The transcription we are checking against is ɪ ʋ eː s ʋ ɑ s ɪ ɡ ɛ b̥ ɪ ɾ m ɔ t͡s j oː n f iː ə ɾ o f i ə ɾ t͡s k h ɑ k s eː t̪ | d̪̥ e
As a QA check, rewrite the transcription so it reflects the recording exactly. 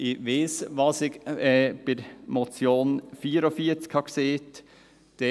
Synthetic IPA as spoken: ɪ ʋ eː s ʋ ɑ s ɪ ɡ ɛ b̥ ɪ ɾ m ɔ t͡s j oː n f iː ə ɾ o f i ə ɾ t͡s k h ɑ k s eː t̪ | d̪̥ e